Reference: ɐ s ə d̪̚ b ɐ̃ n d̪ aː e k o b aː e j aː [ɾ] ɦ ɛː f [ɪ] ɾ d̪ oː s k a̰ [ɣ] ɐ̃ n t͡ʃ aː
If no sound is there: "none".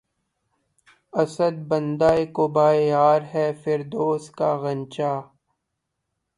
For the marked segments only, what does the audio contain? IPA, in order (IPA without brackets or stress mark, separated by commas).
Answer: ɾ, ɪ, ɣ